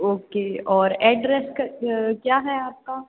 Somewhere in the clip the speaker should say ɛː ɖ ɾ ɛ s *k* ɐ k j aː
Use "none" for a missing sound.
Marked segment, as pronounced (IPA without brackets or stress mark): k